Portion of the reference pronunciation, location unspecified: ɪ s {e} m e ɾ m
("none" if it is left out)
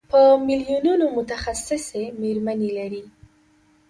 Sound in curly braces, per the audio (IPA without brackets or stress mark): e